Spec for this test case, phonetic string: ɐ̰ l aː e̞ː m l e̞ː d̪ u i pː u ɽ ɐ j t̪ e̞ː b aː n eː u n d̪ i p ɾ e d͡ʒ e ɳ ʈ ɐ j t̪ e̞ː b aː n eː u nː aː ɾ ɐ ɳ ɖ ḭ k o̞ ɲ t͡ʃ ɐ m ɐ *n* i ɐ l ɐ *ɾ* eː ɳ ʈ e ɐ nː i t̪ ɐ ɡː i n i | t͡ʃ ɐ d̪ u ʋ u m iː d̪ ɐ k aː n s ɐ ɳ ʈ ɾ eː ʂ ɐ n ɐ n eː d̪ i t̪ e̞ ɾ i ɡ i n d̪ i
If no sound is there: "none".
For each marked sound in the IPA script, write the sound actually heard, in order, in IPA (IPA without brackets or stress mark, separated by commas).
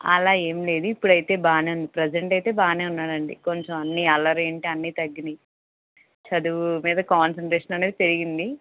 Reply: nː, ɾ